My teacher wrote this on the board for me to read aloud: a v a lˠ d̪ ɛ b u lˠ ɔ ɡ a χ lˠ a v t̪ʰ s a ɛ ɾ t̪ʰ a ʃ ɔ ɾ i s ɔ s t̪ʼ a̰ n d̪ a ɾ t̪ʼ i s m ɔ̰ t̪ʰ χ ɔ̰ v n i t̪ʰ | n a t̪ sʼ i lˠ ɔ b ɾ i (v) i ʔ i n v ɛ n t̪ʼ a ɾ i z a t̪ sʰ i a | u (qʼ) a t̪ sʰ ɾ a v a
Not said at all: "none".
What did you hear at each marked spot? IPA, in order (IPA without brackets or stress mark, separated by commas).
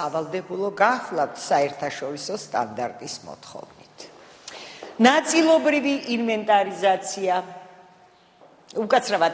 v, kʼ